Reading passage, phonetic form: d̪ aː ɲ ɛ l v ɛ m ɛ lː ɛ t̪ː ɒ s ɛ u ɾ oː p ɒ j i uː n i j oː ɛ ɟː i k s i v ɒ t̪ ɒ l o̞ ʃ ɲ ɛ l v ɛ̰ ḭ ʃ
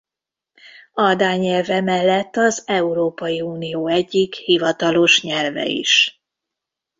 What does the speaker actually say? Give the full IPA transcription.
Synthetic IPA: d̪ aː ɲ ɛ l v ɛ m ɛ lː ɛ t̪ː ɒ z ɛ u ɾ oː p ɒ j i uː n i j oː ɛ ɟː i k h i v ɒ t̪ ɒ l o̞ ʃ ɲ ɛ l v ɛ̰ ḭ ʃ